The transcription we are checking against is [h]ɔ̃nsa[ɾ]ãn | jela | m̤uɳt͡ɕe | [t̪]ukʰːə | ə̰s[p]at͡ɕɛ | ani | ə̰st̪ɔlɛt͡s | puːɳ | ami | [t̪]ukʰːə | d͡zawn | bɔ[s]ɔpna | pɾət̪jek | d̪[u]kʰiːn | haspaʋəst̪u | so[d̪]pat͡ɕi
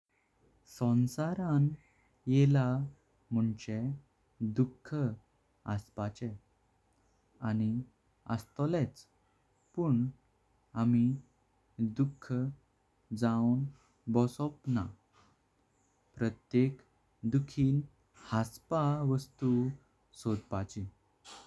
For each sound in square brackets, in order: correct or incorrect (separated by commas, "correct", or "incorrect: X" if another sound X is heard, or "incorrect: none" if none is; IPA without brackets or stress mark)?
incorrect: s, correct, incorrect: d̪, correct, incorrect: d̪, correct, correct, correct